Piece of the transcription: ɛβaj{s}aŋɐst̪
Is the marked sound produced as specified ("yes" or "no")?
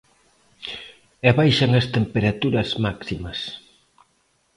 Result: no